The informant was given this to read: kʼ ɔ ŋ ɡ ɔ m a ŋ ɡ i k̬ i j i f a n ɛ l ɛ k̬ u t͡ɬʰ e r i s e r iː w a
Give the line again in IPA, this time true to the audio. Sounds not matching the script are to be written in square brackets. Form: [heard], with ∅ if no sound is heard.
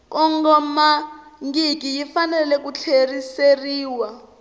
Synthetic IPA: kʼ ɔ ŋ ɡ ɔ m a ŋ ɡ i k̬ i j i f a n ɛ l ɛ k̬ u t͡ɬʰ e r i s e r iː w a